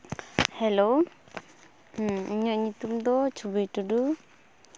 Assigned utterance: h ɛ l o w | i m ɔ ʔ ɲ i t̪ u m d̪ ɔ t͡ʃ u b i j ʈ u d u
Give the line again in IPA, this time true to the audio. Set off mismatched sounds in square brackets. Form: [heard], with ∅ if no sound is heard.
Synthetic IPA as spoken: h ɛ l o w | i [ɲ] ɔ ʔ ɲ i t̪ u m d̪ ɔ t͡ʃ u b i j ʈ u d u